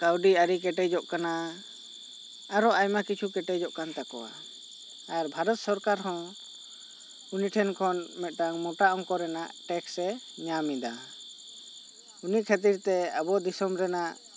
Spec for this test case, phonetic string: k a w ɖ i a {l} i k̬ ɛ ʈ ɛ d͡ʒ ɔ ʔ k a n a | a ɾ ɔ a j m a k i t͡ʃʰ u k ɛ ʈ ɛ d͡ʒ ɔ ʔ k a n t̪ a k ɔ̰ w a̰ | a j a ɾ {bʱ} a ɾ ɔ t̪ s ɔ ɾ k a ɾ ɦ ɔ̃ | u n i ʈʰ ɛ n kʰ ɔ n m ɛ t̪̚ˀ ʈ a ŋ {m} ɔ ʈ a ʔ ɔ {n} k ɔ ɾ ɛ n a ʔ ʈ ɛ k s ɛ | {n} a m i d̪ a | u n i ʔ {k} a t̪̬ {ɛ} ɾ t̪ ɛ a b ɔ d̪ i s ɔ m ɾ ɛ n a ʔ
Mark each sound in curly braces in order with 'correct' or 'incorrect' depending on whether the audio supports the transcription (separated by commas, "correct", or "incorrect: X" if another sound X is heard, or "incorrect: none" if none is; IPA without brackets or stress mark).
incorrect: ɾ, correct, correct, incorrect: ŋ, incorrect: ɲ, incorrect: kʰ, incorrect: i